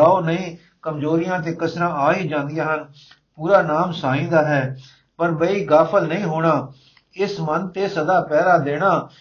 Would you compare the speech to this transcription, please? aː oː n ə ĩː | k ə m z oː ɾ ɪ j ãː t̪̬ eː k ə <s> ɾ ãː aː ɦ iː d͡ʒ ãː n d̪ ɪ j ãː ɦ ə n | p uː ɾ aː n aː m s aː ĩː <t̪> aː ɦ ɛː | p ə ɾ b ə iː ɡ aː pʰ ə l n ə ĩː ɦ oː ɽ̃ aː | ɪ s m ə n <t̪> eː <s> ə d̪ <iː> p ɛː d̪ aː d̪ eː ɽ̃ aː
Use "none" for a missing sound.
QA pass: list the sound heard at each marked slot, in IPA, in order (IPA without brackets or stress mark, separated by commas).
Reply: s, d̪, t̪, s, aː